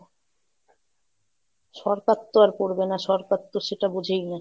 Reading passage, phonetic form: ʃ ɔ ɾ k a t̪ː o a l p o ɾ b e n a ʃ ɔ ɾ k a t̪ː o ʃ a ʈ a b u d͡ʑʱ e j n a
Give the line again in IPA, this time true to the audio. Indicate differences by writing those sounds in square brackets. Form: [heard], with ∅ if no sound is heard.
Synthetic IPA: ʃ ɔ ɾ k a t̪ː o a [ɾ] p o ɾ b e n a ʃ ɔ ɾ k a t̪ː o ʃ [e] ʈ a b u d͡ʑʱ e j n a